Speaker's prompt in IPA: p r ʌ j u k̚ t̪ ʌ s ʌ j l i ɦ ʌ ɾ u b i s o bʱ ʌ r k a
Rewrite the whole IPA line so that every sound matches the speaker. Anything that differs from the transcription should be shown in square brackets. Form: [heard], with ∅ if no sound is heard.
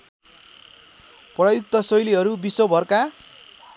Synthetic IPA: p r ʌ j u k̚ t̪ ʌ s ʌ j l i ɦ ʌ ɾ u b i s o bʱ ʌ r k a